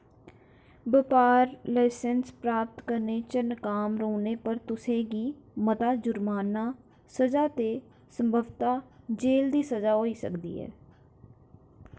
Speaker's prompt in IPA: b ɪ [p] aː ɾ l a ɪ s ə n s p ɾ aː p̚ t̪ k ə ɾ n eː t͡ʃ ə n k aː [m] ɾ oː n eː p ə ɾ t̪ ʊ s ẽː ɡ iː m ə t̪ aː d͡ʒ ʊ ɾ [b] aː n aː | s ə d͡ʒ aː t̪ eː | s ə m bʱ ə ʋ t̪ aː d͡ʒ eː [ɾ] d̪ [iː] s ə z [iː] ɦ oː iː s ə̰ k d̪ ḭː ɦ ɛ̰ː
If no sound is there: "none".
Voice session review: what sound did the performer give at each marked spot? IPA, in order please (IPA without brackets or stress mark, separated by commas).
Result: p, m, m, l, iː, aː